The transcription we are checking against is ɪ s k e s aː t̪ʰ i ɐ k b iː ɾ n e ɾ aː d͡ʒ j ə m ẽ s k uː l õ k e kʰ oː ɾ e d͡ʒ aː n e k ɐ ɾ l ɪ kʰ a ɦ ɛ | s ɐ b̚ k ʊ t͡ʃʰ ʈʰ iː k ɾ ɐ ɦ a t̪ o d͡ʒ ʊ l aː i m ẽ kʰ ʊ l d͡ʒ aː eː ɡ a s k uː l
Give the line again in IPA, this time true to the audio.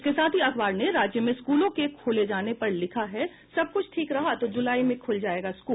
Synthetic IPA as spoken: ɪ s k e s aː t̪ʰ i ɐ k b aː ɾ n e ɾ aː d͡ʒ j ə m ẽ s k uː l õ k e kʰ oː l e d͡ʒ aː n e p ɐ ɾ l ɪ kʰ a ɦ ɛ | s ɐ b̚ k ʊ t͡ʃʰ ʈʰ iː k ɾ ɐ ɦ a t̪ o d͡ʒ ʊ l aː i m ẽ kʰ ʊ l d͡ʒ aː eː ɡ a s k uː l

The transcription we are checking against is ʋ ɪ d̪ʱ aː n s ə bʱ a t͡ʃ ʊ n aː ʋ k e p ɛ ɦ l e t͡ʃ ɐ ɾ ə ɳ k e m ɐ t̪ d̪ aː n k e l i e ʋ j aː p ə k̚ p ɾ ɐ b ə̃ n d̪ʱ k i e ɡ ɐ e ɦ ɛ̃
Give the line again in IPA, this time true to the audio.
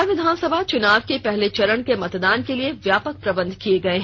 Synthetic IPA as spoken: ʋ ɪ d̪ʱ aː n s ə bʱ a t͡ʃ ʊ n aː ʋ k e p ɛ ɦ l e t͡ʃ ɐ ɾ ə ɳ k e m ɐ t̪ d̪ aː n k e l i e ʋ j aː p ə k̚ p ɾ ɐ b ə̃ n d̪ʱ k i e ɡ ɐ e ɦ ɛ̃

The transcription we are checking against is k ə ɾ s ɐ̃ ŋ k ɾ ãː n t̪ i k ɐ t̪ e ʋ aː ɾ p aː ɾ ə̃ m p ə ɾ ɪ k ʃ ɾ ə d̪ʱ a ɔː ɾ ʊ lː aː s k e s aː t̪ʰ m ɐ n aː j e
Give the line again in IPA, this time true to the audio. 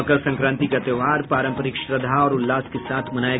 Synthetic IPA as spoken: k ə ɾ s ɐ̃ ŋ k ɾ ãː n t̪ i k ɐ t̪ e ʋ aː ɾ p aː ɾ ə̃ m p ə ɾ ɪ k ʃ ɾ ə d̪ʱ a ɔː ɾ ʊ lː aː s k e s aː t̪ʰ m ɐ n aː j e

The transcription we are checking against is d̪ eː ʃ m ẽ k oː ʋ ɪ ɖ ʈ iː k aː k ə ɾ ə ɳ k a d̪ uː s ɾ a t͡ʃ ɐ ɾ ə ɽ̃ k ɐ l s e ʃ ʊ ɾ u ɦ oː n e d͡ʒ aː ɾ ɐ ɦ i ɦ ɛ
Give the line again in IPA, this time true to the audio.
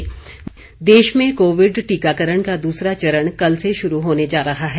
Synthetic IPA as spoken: d̪ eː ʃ m ẽ k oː ʋ ɪ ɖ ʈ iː k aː k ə ɾ ə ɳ k a d̪ uː s ɾ a t͡ʃ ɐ ɾ ə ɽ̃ k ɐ l s e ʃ ʊ ɾ u ɦ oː n e d͡ʒ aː ɾ ɐ ɦ a ɦ ɛ

